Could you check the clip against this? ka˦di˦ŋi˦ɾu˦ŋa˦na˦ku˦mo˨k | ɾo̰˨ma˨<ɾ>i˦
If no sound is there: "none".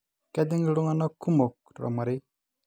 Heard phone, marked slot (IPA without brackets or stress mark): ɾ